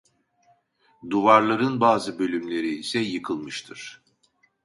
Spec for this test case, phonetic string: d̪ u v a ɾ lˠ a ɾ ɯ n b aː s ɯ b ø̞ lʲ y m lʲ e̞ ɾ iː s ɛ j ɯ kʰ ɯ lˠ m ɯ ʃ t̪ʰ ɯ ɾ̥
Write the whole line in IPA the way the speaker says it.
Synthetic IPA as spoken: d̪ u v a ɾ lˠ a ɾ ɯ n b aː z ɯ b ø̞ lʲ y m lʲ e̞ ɾ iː s ɛ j ɯ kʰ ɯ lˠ m ɯ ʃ t̪ʰ ɯ ɾ̥